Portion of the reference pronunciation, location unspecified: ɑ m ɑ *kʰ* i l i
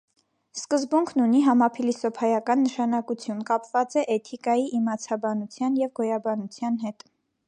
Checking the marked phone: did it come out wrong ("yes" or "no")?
yes